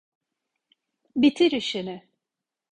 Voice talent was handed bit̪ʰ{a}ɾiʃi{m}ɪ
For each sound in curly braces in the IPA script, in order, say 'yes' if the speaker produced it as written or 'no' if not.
no, no

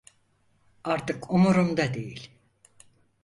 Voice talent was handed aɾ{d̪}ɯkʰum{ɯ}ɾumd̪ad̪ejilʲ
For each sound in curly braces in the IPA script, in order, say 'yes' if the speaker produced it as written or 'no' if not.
no, no

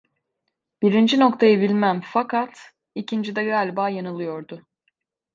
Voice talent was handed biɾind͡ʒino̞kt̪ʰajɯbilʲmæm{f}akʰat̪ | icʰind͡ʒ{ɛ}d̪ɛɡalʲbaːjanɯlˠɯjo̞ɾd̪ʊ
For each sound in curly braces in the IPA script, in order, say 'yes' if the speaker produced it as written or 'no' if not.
yes, no

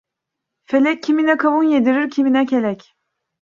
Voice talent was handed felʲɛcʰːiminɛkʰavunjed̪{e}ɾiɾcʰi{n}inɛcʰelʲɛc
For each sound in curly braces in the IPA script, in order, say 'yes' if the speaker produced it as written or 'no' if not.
no, no

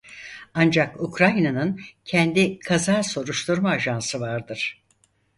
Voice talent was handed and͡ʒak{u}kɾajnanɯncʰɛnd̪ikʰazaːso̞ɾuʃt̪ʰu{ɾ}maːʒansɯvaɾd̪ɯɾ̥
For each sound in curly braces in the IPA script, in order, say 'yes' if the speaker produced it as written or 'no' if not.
yes, yes

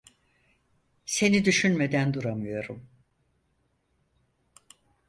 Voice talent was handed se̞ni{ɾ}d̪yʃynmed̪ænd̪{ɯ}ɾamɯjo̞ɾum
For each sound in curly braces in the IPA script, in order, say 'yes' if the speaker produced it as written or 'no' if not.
no, no

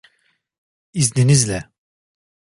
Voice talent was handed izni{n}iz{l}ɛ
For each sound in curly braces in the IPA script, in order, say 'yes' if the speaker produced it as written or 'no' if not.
yes, yes

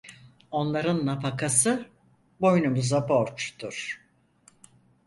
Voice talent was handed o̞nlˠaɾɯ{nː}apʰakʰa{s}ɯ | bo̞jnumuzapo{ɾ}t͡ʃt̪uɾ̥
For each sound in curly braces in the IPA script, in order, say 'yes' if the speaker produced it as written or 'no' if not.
yes, yes, yes

